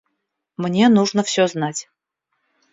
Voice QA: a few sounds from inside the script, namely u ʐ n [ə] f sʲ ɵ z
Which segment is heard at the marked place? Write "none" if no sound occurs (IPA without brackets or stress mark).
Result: ə